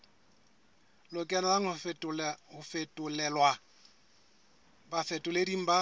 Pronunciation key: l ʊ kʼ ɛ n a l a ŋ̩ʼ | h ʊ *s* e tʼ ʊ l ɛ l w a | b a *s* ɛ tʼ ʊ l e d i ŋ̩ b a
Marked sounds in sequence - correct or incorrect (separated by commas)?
incorrect, incorrect